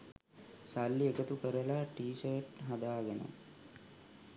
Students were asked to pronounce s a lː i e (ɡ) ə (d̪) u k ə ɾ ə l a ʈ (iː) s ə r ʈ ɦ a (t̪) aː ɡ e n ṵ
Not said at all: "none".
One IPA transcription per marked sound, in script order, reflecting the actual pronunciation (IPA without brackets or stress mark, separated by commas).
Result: k, t̪, iː, d̪